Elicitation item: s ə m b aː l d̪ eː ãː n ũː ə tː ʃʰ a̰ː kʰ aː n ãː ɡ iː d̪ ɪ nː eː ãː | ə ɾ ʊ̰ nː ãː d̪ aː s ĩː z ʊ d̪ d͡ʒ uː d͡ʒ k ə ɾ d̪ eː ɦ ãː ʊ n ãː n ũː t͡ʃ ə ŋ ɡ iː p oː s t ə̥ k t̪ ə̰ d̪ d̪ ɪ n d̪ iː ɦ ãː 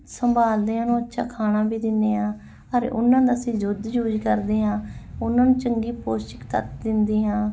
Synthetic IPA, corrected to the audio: s ə m b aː l d̪ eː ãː n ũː ə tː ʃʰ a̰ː kʰ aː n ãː b iː d̪ ɪ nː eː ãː | ə ɾ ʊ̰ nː ãː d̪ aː s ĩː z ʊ d̪ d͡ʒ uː d͡ʒ k ə ɾ d̪ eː ɦ ãː ʊ n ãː n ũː t͡ʃ ə ŋ ɡ iː p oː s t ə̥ k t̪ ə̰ t̪ d̪ ɪ n d̪ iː ɦ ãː